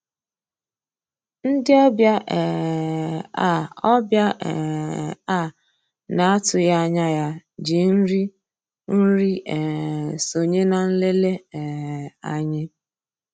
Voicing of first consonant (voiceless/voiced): voiced